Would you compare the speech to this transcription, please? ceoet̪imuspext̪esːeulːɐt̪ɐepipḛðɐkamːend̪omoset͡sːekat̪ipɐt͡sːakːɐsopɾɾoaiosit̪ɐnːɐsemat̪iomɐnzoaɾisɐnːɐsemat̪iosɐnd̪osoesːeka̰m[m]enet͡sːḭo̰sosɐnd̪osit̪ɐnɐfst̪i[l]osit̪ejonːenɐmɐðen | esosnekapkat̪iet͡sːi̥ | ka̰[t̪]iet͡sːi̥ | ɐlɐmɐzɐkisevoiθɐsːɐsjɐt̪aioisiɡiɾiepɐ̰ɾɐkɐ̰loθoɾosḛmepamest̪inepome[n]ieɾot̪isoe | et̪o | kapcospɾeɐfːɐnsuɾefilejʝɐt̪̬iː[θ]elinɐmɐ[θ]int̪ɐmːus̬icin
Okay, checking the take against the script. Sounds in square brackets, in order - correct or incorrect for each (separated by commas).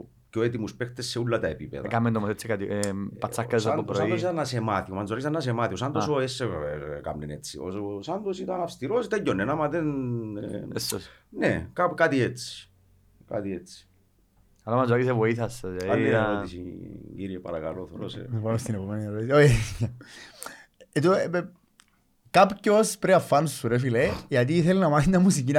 incorrect, incorrect, correct, correct, correct, correct